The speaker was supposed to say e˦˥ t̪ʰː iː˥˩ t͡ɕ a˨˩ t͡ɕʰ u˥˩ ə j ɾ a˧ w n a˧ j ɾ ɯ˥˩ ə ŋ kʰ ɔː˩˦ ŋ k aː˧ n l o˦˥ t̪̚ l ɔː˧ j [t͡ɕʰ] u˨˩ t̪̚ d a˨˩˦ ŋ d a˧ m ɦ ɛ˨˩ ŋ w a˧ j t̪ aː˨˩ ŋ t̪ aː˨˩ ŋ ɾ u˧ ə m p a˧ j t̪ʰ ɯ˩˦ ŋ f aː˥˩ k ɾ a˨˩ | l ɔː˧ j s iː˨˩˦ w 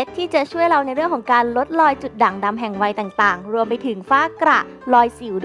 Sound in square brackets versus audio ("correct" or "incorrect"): incorrect